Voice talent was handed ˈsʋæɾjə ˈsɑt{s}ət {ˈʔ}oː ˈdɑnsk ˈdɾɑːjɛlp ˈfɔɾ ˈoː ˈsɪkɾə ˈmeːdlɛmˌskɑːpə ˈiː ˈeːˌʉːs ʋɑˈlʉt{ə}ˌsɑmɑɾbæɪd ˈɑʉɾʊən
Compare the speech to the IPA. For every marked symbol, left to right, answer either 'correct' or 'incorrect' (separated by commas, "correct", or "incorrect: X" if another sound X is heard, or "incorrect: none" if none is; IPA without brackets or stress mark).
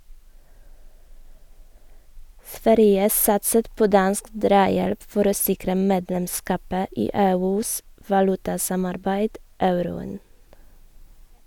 correct, incorrect: p, incorrect: ɑ